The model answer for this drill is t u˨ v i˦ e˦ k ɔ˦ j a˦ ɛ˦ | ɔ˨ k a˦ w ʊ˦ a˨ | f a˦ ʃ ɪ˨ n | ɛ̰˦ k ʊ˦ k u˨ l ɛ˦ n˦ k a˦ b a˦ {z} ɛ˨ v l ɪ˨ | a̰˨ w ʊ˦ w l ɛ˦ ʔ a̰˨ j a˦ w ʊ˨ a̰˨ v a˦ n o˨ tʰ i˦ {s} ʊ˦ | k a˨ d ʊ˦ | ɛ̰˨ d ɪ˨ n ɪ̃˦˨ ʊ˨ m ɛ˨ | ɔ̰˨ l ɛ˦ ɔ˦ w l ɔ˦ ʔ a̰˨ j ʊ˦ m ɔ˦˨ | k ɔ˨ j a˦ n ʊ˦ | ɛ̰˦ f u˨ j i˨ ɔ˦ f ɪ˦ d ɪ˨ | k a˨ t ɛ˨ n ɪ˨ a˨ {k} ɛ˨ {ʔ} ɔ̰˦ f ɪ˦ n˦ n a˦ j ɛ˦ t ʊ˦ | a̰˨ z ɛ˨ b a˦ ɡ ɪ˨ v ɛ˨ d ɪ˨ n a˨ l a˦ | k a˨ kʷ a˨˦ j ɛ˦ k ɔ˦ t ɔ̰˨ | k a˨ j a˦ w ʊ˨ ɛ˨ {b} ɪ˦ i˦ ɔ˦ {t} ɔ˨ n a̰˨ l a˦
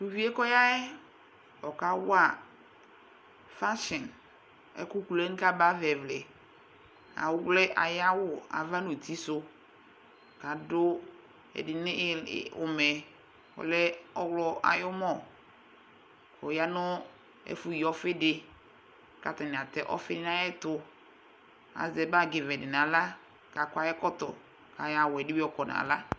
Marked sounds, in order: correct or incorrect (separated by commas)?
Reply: incorrect, correct, incorrect, correct, incorrect, incorrect